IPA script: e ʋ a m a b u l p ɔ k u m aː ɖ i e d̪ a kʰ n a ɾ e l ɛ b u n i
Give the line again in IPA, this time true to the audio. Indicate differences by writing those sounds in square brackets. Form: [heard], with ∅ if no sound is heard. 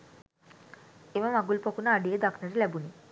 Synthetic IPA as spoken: e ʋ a m a [ɡ] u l p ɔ k u [n] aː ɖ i e d̪ a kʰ n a ɾ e l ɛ b u n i